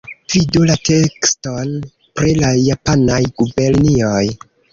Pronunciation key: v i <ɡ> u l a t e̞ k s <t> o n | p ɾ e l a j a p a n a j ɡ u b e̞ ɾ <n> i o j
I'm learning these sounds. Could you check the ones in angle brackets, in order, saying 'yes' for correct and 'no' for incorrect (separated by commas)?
no, yes, yes